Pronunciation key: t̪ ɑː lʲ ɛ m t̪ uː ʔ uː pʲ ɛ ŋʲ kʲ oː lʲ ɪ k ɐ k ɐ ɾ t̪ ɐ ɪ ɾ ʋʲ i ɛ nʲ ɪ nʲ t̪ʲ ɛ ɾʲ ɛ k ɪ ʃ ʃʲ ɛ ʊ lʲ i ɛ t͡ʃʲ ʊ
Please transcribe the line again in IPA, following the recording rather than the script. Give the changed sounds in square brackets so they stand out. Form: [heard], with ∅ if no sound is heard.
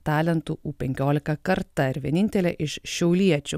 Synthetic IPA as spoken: t̪ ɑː lʲ ɛ [n] t̪ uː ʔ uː pʲ ɛ ŋʲ kʲ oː lʲ ɪ k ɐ k ɐ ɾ t̪ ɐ ɪ ɾ ʋʲ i ɛ nʲ ɪ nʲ t̪ʲ ɛ [lʲ] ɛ [ʔ] ɪ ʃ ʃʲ ɛ ʊ lʲ i ɛ t͡ʃʲ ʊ